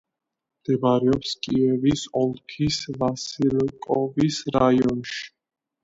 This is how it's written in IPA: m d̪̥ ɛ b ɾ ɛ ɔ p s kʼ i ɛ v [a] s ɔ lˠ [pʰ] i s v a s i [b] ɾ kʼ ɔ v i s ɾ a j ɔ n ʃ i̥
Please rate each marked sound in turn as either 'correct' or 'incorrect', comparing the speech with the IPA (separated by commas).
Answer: incorrect, incorrect, incorrect